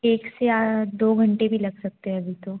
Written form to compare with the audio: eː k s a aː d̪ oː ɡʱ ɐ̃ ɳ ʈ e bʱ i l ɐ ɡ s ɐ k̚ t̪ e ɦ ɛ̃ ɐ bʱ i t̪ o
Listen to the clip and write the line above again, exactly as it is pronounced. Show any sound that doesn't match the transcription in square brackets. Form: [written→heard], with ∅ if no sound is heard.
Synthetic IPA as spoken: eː k s [a→e] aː d̪ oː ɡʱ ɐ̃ ɳ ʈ e bʱ i l ɐ ɡ s ɐ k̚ t̪ e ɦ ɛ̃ ɐ bʱ i t̪ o